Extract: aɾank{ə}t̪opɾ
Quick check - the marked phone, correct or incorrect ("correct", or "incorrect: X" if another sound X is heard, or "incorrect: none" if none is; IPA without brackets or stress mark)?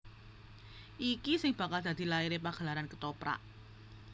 correct